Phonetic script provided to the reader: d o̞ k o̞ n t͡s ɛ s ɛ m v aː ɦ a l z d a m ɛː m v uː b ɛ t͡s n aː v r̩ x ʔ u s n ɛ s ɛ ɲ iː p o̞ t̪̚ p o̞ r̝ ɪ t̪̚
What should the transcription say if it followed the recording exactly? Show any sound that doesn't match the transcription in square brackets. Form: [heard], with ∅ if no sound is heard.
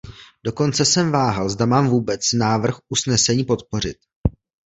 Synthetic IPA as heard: d o̞ k o̞ n t͡s ɛ s ɛ m v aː ɦ a l z d a m [aː] m v uː b ɛ t͡s n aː v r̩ x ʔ u s n ɛ s ɛ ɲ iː p o̞ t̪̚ p o̞ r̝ ɪ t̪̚